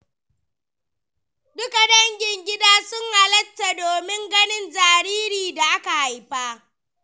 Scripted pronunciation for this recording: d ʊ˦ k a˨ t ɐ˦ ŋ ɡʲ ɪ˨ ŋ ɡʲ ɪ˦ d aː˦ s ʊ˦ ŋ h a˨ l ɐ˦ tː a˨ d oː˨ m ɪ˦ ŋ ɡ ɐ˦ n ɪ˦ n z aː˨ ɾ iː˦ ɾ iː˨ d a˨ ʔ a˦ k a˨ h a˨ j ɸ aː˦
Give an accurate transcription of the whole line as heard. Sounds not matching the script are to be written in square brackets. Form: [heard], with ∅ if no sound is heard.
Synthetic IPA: d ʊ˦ k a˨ [d] ɐ˦ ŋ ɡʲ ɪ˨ ŋ ɡʲ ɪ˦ d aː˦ s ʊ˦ ŋ h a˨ l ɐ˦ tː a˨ d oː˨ m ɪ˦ ŋ ɡ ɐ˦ n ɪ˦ n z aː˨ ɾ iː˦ ɾ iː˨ d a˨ ʔ a˦ k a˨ h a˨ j ɸ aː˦